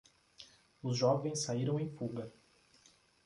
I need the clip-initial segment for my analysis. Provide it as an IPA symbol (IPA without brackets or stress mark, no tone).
ʊ